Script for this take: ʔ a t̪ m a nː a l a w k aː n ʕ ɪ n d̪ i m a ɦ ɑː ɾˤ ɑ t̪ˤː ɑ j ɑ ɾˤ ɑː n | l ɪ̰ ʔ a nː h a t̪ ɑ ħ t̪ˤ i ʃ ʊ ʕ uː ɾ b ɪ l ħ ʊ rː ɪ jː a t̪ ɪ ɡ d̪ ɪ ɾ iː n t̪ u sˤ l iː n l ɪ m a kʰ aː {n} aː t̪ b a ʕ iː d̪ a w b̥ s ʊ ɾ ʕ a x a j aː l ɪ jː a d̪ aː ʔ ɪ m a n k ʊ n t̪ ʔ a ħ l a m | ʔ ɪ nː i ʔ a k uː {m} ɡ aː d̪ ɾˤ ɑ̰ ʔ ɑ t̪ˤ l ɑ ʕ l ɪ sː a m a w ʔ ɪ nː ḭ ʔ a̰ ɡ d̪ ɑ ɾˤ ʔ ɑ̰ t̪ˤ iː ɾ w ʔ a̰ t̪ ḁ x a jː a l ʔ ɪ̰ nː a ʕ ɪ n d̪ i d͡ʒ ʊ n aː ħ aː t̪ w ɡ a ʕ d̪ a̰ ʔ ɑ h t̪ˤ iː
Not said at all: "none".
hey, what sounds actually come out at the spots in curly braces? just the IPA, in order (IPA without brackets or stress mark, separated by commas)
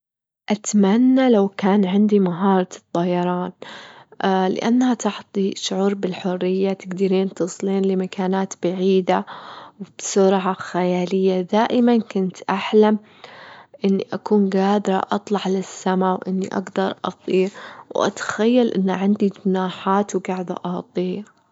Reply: n, n